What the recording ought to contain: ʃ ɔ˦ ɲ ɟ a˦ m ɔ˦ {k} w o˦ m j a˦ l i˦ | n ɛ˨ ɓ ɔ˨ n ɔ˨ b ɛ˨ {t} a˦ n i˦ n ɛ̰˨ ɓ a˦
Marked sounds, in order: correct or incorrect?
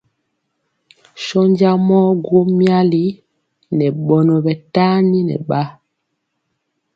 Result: incorrect: ɡ, correct

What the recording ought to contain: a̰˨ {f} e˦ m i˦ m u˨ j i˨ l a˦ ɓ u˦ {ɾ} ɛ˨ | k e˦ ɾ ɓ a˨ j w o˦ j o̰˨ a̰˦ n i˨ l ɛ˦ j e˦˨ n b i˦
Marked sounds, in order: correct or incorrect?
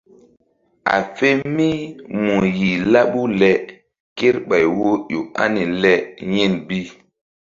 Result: correct, incorrect: l

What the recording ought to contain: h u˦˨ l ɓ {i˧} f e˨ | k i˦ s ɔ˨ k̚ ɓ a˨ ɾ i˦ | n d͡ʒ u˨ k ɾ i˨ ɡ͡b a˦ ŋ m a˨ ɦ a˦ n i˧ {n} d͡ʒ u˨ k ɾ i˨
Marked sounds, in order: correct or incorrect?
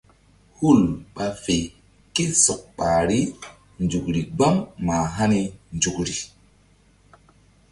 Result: incorrect: a˧, correct

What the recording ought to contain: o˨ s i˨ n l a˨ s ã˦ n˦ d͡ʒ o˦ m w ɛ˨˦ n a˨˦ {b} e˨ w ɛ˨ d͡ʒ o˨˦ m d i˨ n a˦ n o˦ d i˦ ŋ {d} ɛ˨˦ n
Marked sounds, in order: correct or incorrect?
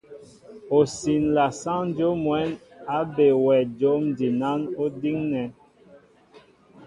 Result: correct, incorrect: n

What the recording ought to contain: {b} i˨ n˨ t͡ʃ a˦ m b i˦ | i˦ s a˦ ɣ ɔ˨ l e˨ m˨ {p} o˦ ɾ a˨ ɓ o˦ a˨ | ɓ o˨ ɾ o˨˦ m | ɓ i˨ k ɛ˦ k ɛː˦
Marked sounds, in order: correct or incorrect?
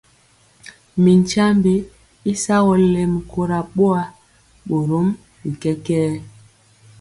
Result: incorrect: m, incorrect: k

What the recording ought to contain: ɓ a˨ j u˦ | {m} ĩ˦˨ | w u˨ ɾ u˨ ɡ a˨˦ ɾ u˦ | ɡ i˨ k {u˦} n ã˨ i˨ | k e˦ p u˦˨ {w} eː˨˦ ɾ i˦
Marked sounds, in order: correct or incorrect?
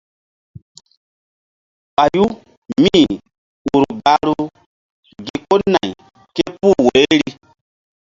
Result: correct, incorrect: o˦, correct

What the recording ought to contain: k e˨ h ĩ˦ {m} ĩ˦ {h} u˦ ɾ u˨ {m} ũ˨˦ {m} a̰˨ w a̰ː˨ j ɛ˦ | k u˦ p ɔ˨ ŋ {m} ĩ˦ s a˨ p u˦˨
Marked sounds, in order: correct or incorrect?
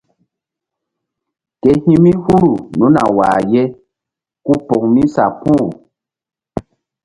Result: correct, correct, incorrect: n, incorrect: n, correct

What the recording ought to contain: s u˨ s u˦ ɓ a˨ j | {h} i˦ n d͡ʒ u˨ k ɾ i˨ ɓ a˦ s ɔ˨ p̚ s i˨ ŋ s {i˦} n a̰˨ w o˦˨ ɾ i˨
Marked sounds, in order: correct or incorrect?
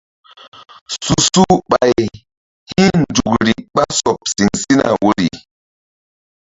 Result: correct, correct

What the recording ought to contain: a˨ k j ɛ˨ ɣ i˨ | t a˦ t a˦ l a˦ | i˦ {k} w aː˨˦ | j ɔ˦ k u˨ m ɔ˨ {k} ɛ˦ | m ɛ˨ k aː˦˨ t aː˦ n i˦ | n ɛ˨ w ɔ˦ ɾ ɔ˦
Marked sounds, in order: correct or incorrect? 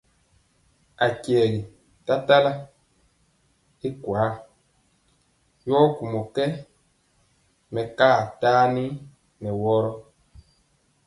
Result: correct, correct

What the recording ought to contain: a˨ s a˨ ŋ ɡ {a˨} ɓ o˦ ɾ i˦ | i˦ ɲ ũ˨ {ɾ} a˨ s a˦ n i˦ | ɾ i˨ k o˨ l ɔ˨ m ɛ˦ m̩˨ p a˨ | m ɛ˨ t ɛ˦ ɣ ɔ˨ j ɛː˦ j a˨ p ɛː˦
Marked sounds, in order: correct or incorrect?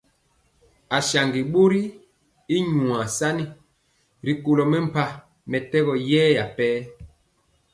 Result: incorrect: i˨, incorrect: none

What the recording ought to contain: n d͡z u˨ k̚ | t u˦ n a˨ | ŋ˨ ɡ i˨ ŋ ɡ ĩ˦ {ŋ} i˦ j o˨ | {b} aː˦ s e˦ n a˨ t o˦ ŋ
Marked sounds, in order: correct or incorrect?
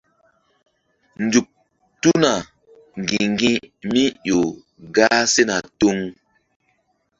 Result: incorrect: m, incorrect: ɡ

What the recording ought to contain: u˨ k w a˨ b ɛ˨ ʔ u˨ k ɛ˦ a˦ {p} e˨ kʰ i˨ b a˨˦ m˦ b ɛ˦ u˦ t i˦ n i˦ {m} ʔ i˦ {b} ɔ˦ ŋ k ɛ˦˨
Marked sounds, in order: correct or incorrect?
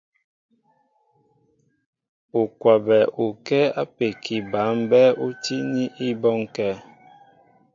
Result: correct, incorrect: none, correct

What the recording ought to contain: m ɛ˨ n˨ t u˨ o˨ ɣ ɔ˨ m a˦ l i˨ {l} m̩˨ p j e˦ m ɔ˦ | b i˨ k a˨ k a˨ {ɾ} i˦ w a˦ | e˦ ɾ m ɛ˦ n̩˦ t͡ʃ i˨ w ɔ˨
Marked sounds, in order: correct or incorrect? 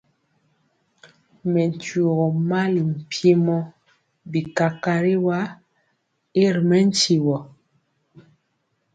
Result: incorrect: none, correct

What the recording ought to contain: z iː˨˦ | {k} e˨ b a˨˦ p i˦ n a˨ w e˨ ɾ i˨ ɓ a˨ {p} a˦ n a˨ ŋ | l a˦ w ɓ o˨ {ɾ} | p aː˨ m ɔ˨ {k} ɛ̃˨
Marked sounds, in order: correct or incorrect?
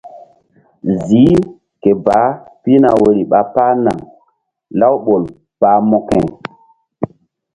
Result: correct, correct, incorrect: l, correct

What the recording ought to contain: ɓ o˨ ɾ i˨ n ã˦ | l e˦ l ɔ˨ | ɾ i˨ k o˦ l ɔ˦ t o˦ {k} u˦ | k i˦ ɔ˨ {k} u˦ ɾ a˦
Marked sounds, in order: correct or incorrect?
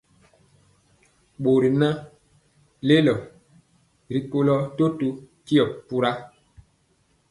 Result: incorrect: t, incorrect: p

